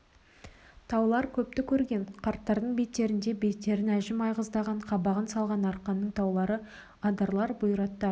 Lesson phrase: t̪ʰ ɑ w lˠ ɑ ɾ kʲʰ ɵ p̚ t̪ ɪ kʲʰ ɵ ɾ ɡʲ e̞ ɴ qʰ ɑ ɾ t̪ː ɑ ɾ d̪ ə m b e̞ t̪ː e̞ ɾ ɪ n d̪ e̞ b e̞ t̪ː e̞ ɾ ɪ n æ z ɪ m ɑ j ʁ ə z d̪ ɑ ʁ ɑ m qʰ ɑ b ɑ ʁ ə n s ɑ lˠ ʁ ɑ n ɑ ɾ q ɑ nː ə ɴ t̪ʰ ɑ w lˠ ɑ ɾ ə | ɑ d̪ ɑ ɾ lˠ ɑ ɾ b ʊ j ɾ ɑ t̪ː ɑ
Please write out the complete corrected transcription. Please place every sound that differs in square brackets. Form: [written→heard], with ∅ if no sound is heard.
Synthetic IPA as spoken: t̪ʰ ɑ w lˠ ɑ ɾ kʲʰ ɵ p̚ t̪ ɪ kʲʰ ɵ ɾ ɡʲ e̞ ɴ qʰ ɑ ɾ t̪ː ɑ ɾ d̪ ə [m→ɴ] b e̞ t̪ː e̞ ɾ ɪ n d̪ e̞ b e̞ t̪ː e̞ ɾ ɪ n æ [z→ʒ] ɪ m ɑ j ʁ ə z d̪ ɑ ʁ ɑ [m→ɴ] qʰ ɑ b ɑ ʁ ə n s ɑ lˠ ʁ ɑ n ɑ ɾ q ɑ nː ə ɴ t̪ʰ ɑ w lˠ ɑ ɾ ə | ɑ d̪ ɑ ɾ lˠ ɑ ɾ b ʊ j ɾ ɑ t̪ː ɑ